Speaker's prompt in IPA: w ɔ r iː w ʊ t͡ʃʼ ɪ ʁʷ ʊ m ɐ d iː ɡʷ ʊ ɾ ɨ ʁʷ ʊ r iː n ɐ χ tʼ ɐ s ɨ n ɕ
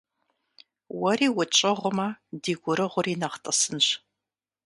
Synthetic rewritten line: w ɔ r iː w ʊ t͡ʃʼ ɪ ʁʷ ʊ m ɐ d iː ɡʷ ʊ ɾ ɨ ʁʷ ʊ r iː n ɐ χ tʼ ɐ s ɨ n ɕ